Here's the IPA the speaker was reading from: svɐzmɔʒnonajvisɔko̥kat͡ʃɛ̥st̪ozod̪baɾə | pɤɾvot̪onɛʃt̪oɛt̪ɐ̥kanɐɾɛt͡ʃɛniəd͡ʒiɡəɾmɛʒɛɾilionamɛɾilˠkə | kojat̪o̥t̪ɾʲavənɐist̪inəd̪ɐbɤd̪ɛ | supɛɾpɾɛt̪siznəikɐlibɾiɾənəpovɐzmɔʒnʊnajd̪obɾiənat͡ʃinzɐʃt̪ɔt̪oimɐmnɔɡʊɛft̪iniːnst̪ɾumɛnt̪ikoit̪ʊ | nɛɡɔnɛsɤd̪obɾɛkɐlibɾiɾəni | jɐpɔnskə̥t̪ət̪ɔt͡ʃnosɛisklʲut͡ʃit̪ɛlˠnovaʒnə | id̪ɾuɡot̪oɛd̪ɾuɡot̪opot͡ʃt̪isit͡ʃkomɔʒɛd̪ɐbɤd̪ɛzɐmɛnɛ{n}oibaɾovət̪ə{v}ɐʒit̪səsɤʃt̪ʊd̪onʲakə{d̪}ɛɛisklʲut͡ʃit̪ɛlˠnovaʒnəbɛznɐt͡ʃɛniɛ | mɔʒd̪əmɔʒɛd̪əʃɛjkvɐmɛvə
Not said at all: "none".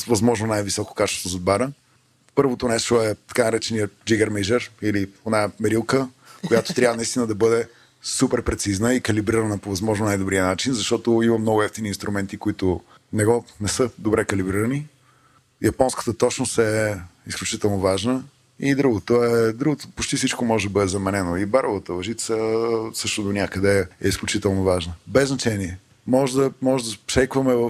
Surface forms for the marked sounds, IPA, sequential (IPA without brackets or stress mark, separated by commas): n, v, d̪